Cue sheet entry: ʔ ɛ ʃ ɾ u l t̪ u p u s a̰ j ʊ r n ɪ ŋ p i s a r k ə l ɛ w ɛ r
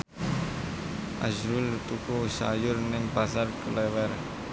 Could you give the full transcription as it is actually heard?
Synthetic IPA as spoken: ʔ a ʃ ɾ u l t̪ u k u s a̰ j ʊ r n ɪ ŋ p a s a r k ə l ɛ w ɛ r